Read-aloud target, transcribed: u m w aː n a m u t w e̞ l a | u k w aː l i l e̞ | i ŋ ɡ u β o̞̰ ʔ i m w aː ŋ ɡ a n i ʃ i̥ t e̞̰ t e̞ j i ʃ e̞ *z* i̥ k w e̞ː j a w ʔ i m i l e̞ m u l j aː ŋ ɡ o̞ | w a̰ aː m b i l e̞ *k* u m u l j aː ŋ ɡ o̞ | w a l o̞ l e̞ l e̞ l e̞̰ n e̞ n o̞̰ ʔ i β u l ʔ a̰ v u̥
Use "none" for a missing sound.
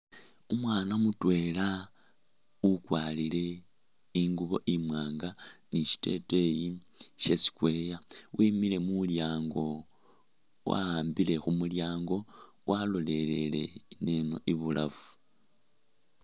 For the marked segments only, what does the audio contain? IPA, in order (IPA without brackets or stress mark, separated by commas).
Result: s, x